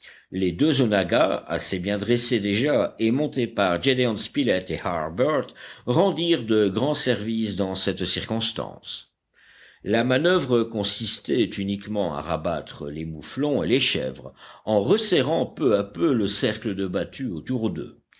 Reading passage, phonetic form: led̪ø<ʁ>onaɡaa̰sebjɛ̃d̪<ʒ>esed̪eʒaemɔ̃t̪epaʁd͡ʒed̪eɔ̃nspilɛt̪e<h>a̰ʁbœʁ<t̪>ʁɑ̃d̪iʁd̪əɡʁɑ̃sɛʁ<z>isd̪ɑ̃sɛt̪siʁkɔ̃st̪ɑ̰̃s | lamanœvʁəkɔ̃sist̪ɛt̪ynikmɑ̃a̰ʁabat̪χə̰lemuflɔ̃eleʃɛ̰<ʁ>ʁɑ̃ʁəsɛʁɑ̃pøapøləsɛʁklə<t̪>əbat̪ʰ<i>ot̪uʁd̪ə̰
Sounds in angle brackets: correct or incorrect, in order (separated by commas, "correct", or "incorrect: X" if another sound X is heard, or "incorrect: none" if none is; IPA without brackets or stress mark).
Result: incorrect: z, incorrect: ʁ, correct, correct, incorrect: v, incorrect: v, incorrect: d̪, incorrect: y